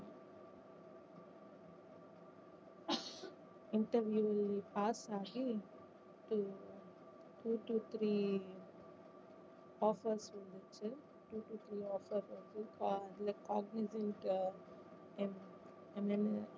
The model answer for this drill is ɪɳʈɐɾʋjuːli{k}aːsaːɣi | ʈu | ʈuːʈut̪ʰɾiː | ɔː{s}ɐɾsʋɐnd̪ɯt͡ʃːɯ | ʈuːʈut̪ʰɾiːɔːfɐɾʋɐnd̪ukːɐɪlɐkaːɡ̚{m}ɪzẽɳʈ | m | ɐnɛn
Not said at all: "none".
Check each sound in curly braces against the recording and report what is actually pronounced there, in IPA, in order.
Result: p, f, n

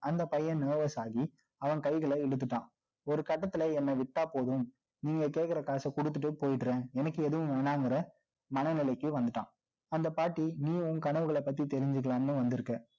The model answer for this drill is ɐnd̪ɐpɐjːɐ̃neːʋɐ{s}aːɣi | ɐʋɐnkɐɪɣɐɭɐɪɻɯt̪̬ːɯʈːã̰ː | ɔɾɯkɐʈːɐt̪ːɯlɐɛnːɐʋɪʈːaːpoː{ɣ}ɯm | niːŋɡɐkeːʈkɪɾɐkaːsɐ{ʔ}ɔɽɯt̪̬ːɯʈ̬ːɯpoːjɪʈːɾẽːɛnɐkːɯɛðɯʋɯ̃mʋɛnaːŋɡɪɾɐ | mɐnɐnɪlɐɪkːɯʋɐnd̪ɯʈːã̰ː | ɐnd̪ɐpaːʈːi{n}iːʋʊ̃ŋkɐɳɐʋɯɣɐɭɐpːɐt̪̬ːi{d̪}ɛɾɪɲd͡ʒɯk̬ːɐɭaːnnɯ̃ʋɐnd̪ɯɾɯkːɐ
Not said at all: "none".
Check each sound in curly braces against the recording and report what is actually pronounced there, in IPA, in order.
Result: s, ð, k, n, t̪

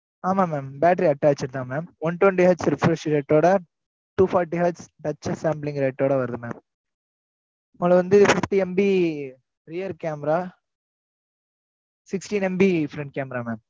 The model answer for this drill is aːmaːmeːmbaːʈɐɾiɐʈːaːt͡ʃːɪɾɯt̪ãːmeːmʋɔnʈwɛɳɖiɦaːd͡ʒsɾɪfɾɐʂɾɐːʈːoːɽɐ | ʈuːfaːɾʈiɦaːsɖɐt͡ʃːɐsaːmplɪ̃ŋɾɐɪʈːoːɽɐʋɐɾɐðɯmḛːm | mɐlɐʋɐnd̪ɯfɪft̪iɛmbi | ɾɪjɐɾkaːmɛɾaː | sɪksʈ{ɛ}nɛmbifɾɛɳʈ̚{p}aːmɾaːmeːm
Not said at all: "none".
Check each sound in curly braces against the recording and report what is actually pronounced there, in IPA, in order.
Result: i, k

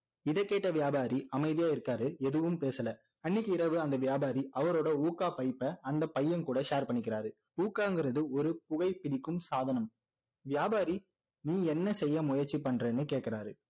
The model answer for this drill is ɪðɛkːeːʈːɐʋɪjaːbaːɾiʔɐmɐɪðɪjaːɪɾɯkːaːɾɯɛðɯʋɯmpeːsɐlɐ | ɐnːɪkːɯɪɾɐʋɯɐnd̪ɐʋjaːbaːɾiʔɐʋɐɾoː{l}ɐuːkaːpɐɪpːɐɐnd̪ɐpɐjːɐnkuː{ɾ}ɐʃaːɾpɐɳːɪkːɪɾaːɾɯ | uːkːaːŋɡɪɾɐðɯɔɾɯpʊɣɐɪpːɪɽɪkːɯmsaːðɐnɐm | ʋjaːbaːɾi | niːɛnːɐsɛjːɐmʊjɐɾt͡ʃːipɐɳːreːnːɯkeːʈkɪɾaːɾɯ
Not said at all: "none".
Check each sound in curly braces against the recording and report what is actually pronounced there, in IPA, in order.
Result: ɽ, ɽ

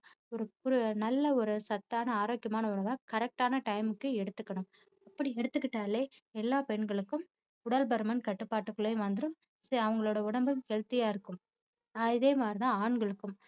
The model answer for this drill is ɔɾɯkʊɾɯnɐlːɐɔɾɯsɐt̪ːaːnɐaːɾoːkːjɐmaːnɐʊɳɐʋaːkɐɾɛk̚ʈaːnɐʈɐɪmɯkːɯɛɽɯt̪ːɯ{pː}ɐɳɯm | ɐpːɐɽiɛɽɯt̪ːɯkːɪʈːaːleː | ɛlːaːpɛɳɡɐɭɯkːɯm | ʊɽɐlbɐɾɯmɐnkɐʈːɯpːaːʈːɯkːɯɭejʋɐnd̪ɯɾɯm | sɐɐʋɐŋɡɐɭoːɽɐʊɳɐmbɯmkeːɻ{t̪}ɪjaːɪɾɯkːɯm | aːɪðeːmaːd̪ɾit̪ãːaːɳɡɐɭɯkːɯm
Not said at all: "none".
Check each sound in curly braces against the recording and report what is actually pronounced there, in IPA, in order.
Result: kː, t̪

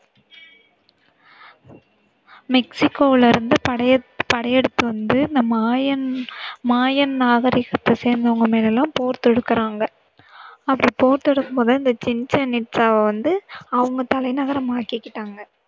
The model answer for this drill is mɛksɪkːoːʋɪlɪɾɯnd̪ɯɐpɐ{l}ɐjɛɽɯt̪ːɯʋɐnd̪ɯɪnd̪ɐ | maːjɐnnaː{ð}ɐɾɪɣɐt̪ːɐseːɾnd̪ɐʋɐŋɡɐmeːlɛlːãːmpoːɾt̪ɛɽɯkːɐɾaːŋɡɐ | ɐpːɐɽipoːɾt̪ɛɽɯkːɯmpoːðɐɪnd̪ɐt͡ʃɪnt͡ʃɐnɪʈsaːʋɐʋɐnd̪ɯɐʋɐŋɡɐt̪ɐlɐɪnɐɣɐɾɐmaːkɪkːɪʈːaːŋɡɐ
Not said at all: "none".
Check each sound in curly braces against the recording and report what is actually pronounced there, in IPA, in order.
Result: ɽ, ɣ

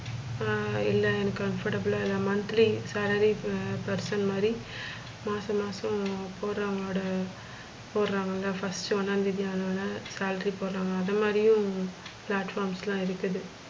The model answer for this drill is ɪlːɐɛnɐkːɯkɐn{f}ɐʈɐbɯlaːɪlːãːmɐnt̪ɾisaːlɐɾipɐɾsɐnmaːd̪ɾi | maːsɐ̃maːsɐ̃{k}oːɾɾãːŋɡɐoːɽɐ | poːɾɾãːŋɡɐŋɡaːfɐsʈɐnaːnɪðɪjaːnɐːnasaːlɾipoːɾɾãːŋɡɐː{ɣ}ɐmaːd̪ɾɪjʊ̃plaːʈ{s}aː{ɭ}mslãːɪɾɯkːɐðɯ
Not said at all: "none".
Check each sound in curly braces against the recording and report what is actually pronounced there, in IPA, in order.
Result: f, p, ð, f, ɾ

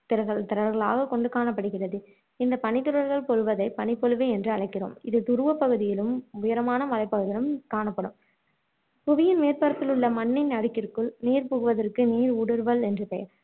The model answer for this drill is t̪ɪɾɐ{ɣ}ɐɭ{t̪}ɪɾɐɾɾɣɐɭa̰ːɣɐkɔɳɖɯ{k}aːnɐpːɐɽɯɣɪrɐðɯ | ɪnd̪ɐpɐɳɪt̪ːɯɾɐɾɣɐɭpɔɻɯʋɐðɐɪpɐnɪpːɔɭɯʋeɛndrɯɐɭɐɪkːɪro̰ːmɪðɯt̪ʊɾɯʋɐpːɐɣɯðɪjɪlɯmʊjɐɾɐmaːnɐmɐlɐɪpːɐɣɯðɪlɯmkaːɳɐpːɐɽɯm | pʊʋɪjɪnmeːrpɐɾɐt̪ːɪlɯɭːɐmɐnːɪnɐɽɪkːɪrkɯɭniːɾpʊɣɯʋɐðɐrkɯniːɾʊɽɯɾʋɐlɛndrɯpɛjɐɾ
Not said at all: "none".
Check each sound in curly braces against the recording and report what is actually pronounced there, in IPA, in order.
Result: ɣ, t̪, k

